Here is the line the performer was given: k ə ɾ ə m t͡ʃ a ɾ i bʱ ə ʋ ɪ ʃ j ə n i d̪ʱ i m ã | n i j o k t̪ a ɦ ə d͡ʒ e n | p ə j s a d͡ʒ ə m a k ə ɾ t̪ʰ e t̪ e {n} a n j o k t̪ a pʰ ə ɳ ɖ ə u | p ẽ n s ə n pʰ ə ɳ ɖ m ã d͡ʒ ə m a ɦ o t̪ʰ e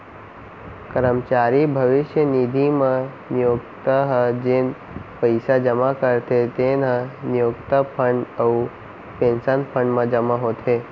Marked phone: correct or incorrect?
correct